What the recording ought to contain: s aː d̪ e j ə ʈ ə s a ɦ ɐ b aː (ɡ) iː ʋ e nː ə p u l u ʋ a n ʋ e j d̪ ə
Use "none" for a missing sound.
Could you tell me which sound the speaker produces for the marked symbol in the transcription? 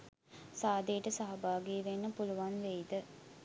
ɡ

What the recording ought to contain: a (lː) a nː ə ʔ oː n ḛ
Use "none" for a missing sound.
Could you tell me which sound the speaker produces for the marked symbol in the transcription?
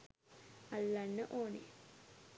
lː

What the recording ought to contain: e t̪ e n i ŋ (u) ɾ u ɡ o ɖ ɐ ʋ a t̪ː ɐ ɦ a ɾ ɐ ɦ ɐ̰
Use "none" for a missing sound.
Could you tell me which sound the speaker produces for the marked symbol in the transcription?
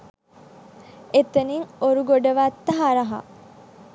o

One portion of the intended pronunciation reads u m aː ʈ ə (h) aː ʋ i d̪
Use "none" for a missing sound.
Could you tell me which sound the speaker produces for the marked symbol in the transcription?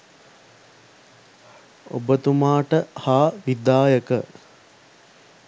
h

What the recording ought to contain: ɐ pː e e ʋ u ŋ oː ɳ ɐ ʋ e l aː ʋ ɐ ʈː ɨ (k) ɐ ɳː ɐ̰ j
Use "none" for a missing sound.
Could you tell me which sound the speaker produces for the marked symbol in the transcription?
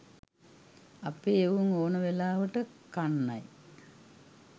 k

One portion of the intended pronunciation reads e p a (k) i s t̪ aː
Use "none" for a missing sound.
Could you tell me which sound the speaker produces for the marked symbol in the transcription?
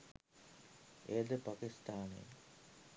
k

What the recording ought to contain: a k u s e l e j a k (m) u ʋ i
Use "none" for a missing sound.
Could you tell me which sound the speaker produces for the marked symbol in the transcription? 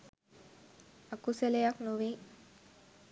n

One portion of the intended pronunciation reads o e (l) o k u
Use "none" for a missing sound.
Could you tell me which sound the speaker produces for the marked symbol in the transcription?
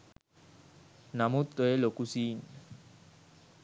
l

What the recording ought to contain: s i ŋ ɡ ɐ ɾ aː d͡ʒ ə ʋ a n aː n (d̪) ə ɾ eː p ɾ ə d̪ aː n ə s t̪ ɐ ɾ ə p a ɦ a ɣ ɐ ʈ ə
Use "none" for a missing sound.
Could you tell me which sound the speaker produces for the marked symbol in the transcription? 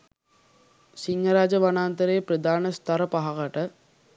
t̪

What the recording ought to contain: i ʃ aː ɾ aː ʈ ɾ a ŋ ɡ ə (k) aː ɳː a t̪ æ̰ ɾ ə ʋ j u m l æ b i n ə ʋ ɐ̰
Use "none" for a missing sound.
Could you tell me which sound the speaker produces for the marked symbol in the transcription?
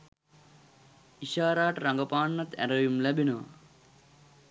p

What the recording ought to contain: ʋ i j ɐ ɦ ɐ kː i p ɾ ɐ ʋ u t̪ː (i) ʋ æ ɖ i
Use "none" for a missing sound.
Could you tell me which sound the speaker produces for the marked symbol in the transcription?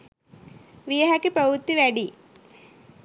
i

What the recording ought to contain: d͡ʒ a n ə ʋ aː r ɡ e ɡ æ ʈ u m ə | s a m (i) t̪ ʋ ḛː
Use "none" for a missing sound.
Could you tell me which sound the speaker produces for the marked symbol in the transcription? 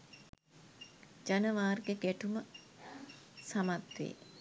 a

